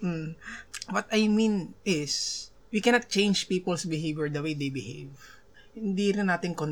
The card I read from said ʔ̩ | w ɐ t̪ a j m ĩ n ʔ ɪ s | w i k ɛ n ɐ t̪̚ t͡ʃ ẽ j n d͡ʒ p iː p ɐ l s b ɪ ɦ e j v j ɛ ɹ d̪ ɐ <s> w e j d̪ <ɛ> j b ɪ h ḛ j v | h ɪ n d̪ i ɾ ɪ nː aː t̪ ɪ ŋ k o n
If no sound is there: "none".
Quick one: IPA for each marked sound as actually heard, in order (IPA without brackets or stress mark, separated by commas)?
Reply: none, e